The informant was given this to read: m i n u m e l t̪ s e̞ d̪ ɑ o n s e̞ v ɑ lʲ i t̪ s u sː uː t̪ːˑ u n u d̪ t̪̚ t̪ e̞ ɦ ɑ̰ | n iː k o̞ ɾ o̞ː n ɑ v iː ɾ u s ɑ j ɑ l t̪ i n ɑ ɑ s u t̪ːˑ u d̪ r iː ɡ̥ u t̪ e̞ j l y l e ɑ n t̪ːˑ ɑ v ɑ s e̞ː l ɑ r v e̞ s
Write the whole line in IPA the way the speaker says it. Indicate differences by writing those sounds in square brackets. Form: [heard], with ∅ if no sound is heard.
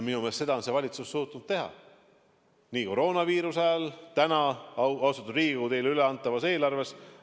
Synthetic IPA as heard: m i n u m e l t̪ s e̞ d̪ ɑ o n s e̞ v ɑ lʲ i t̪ s u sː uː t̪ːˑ u n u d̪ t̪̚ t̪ e̞ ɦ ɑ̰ | n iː k o̞ ɾ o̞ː n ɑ v iː ɾ u s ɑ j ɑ l t̪ [æ] n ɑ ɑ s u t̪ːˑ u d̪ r iː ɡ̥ u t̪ e̞ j l y l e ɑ n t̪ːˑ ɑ v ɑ s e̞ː l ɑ r v e̞ s

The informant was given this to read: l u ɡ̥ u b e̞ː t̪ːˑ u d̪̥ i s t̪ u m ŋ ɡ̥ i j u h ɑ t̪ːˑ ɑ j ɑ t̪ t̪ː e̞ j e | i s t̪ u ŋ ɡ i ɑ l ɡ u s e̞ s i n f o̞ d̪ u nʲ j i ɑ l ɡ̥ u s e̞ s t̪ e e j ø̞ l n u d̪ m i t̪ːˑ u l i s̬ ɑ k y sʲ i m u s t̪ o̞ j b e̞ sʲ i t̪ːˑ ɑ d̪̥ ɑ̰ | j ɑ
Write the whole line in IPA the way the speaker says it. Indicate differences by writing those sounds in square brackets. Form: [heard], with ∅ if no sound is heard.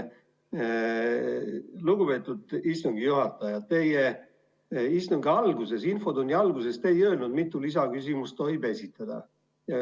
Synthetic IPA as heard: l u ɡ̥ u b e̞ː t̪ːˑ u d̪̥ i s t̪ u [∅] ŋ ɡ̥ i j u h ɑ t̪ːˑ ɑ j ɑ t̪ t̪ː e̞ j e | i s t̪ u ŋ ɡ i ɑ l ɡ u s e̞ s i n f o̞ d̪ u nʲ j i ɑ l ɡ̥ u s e̞ s t̪ e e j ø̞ l n u d̪ m i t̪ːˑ u l i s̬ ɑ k y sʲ i m u s t̪ o̞ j b e̞ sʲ i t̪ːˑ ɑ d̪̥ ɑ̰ | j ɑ

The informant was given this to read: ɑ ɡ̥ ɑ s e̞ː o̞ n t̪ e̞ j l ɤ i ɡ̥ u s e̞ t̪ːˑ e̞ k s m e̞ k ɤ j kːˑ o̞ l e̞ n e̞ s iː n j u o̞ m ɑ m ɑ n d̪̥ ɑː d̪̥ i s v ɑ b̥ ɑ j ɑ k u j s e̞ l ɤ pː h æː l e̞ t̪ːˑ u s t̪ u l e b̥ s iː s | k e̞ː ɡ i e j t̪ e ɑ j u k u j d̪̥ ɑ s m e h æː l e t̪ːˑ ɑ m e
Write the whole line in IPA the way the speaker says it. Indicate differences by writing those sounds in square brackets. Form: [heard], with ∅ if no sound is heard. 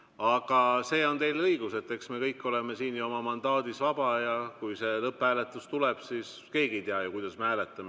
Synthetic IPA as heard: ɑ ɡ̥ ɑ s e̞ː o̞ n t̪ e̞ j l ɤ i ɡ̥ u s e̞ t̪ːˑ e̞ k s m e̞ k ɤ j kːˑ o̞ l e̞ [m] e̞ s iː n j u o̞ m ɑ m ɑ n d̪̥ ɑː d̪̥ i s v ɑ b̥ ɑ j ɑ k u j s e̞ l ɤ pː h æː l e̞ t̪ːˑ u s t̪ u l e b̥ s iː s | k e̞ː ɡ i e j t̪ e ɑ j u k u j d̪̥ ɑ s m e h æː l e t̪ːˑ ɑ m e

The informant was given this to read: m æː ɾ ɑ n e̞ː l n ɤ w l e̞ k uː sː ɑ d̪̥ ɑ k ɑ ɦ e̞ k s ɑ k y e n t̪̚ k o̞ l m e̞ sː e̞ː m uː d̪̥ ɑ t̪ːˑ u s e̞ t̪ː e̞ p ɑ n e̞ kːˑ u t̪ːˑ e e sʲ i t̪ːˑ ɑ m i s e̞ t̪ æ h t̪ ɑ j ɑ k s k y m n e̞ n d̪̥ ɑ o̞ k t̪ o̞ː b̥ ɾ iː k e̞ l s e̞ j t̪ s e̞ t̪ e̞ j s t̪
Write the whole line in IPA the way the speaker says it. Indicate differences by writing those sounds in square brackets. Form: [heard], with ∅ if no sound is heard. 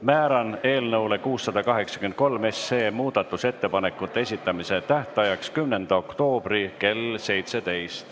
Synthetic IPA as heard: m æː ɾ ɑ n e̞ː l n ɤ w l e̞ k uː sː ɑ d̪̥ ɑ k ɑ ɦ e̞ k s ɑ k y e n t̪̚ k o̞ l m e̞ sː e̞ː m uː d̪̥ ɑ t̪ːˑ u s e̞ t̪ː e̞ p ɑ n e̞ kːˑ u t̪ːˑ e e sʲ i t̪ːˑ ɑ m i s e̞ t̪ æ h t̪ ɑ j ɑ k s k y m n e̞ n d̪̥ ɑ o̞ k t̪ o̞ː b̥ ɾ [i] k e̞ l s e̞ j t̪ s e̞ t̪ e̞ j s t̪

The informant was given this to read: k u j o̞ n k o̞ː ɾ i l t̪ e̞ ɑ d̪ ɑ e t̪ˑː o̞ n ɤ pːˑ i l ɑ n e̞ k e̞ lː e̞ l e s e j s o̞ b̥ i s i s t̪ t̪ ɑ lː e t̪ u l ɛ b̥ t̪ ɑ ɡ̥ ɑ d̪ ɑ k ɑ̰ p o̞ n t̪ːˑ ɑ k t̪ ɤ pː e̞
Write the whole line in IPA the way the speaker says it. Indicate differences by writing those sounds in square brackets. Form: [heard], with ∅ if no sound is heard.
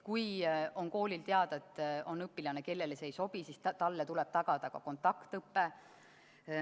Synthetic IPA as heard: k u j o̞ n k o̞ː [l] i l t̪ e̞ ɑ d̪ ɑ e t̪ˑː o̞ n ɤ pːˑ i l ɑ n e̞ k e̞ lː e̞ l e s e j s o̞ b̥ i s i s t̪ t̪ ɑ lː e t̪ u l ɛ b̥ t̪ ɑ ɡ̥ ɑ d̪ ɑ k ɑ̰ [k] o̞ n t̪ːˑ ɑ k t̪ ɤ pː e̞

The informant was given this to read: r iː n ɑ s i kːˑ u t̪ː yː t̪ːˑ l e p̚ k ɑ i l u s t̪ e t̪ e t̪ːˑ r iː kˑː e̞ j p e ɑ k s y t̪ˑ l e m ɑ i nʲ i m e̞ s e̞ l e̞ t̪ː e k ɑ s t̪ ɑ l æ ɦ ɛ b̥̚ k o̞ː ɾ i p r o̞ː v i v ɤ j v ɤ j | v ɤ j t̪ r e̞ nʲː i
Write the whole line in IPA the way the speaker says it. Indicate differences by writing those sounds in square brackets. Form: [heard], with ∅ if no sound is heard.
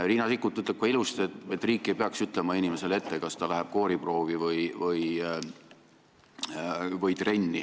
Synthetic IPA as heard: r iː n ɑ s i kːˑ u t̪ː [y] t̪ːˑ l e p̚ k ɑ i l u s t̪ e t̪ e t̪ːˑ r iː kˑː e̞ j p e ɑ k s y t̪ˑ l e m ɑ i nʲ i m e̞ s e̞ l e̞ t̪ː e k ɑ s t̪ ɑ l æ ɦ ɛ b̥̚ k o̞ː ɾ i p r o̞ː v i v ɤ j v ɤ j | v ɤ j t̪ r e̞ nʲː i

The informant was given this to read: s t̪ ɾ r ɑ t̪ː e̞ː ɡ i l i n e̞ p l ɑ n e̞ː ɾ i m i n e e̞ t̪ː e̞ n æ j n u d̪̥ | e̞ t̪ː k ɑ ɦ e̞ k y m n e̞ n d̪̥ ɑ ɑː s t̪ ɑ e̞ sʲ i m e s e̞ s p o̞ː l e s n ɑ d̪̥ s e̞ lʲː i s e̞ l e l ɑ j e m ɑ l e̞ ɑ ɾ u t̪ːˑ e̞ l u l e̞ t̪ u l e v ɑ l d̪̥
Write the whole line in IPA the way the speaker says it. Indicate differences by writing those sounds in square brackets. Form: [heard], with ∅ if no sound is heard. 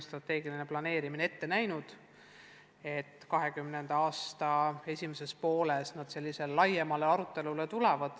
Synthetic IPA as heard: s t̪ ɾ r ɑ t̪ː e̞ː ɡ i l i n e̞ p l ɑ n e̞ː ɾ i m i n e e̞ t̪ː e̞ n æ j n u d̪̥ | e̞ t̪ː k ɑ ɦ e̞ k y m n e̞ n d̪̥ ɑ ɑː s t̪ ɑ e̞ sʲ i m e s e̞ s p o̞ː l e s n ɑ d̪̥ s e̞ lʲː i s e̞ l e l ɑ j e m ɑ l e̞ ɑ ɾ u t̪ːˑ e̞ l u l e̞ t̪ u l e v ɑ [∅] d̪̥

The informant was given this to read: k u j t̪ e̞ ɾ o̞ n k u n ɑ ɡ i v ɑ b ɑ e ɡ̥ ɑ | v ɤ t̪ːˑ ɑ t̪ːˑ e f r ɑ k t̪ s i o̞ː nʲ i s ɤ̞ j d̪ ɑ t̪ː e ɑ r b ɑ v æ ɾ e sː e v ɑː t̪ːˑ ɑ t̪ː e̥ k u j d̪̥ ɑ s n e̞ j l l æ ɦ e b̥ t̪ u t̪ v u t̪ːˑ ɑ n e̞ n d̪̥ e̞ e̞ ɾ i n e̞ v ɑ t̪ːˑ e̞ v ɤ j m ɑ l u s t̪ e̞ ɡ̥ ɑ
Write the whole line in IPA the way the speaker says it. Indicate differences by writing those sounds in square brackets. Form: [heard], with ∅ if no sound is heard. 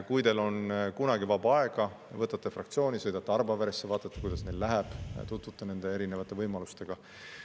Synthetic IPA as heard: k u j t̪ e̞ [l] o̞ n k u n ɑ ɡ i v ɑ b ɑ e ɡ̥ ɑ | v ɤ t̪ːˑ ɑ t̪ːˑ e f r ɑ k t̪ s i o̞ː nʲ i s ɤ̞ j d̪ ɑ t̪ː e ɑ r b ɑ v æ ɾ e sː e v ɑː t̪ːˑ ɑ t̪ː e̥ k u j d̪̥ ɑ s n e̞ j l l æ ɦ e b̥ t̪ u t̪ v u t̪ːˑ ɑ n e̞ n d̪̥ e̞ e̞ ɾ i n e̞ v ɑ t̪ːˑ e̞ v ɤ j m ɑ l u s t̪ e̞ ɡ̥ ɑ

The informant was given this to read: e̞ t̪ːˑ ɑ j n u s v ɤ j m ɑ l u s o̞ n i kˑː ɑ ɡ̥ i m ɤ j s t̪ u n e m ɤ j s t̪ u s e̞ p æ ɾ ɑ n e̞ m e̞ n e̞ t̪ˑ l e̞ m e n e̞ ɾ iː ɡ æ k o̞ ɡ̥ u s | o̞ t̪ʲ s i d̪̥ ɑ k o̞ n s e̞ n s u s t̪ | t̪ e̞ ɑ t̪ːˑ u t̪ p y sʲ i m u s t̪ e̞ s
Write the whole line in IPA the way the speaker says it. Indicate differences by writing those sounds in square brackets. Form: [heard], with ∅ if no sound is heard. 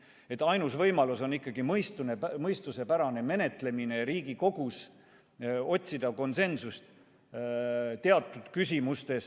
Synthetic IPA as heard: e̞ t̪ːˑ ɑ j n u s v ɤ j m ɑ l u s o̞ n i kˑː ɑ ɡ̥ i m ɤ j s t̪ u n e m ɤ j s t̪ u s e̞ p æ ɾ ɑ n e̞ m e̞ n e̞ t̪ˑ l e̞ m [i] n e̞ ɾ iː ɡ [i] k o̞ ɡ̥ u s | o̞ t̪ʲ s i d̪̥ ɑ k o̞ n s e̞ n s u s t̪ | t̪ e̞ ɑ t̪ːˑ u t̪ [k] y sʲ i m u s t̪ e̞ s

